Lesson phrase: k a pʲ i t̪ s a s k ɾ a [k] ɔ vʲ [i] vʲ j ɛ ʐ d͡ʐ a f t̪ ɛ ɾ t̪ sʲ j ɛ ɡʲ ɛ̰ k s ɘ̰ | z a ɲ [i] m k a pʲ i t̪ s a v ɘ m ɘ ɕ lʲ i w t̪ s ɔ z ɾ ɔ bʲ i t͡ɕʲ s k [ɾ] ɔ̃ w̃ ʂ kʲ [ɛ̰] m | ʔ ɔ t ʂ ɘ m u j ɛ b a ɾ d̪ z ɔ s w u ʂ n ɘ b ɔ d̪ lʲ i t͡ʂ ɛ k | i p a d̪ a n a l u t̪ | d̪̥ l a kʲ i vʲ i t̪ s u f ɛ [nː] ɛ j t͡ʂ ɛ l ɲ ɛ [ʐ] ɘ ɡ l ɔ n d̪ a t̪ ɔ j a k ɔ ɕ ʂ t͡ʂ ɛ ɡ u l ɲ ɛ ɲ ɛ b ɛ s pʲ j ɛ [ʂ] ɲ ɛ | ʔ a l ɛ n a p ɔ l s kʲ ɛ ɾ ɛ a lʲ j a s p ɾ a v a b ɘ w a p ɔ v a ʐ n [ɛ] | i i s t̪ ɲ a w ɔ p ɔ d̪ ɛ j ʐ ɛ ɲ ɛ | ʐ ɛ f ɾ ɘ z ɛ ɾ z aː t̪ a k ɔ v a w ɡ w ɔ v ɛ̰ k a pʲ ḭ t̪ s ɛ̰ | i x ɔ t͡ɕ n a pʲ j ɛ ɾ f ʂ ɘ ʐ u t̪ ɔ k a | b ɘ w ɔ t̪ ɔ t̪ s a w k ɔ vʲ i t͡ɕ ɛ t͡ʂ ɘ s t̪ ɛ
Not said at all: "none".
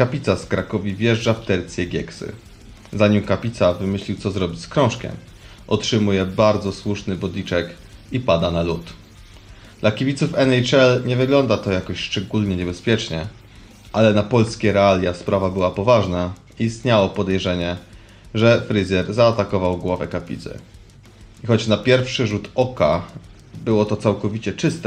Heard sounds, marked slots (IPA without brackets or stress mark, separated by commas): k, i, i, ɾ, ɛ̰, n, v, t͡ʂ, a